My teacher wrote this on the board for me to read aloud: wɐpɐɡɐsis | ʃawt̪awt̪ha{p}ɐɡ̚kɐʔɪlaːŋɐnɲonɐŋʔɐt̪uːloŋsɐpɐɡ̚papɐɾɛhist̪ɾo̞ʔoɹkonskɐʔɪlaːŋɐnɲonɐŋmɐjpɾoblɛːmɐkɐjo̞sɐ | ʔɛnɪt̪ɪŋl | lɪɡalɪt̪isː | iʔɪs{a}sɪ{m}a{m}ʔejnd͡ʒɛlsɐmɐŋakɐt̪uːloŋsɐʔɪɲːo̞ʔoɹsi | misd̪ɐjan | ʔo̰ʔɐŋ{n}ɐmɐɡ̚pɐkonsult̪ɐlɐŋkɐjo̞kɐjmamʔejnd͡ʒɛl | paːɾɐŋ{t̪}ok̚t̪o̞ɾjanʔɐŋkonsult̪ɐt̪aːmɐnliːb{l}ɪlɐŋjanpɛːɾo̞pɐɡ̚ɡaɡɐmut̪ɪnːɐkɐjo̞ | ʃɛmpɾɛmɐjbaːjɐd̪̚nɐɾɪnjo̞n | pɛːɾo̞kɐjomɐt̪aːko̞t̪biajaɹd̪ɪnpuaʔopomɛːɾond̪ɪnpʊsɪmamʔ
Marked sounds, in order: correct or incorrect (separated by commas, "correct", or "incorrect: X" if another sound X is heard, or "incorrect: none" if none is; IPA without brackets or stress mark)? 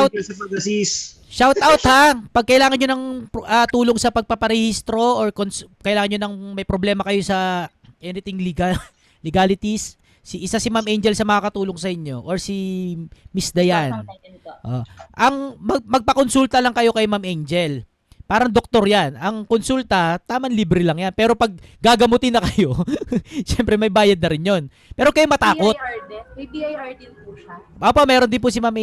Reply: correct, correct, correct, correct, incorrect: m, incorrect: d̪, incorrect: ɾ